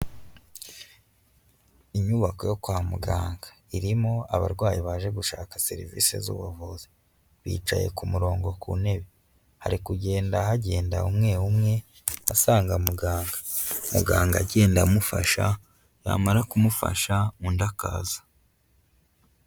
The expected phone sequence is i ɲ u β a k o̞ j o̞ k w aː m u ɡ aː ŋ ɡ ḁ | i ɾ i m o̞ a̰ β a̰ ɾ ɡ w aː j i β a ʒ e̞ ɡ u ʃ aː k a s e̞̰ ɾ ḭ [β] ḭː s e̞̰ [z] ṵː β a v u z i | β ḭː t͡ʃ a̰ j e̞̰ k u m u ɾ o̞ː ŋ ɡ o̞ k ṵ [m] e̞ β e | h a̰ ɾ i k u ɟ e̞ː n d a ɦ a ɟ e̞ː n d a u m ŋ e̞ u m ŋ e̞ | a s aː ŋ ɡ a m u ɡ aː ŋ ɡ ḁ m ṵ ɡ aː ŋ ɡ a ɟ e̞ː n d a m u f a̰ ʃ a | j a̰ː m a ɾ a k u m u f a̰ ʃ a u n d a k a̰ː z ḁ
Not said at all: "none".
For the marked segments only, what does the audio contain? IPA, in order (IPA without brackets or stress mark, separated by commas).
v, z, n